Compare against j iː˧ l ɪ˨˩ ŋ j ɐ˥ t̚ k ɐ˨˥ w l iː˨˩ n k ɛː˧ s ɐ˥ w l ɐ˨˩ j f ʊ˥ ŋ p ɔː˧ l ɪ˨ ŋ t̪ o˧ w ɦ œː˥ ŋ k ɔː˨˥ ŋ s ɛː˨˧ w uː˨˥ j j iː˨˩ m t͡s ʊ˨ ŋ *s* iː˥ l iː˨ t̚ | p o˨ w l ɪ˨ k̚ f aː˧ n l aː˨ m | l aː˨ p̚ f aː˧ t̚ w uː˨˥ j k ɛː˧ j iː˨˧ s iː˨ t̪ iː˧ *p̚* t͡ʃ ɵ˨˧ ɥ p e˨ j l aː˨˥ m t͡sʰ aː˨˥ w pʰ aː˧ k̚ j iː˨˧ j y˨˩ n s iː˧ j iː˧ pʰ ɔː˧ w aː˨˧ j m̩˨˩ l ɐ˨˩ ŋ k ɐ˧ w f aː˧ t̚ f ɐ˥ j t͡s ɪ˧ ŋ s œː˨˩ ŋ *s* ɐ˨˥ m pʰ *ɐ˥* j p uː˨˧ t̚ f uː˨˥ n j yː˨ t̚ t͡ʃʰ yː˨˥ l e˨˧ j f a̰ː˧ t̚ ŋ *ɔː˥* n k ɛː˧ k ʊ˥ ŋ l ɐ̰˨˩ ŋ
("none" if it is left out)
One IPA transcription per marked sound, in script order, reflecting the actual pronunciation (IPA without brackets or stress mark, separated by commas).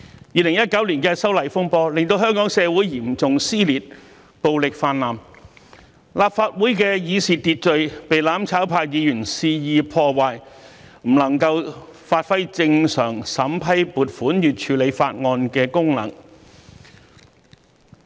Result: s, t̚, s, ɐ˥, ɔː˧